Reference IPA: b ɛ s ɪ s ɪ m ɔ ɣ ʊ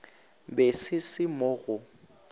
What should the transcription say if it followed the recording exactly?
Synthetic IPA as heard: b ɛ s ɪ s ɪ m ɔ ɣ ʊ